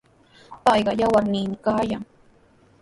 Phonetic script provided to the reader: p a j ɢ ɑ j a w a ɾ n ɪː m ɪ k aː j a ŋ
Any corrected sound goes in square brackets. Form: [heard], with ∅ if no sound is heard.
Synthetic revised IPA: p [ɑ] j ɢ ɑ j a w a ɾ n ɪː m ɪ k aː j a ŋ